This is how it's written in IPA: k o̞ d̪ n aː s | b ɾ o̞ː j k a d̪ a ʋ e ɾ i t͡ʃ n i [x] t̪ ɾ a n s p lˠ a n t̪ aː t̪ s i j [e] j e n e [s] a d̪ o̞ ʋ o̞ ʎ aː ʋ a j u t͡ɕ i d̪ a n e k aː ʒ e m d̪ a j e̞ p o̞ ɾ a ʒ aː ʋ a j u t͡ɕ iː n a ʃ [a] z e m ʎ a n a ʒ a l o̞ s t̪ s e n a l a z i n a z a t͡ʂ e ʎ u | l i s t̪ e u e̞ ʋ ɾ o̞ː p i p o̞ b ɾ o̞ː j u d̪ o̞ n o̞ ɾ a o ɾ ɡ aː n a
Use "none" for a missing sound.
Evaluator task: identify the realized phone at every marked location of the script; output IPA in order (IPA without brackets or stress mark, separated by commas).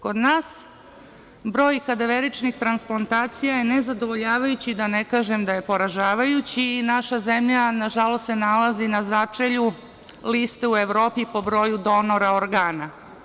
x, a, z, a